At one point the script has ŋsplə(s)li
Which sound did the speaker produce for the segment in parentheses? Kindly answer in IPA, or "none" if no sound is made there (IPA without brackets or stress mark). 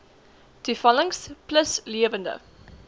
s